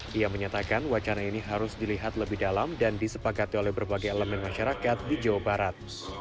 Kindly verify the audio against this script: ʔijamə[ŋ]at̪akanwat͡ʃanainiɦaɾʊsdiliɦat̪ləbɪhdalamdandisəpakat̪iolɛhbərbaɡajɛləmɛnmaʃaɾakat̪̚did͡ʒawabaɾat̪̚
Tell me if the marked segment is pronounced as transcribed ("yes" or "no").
no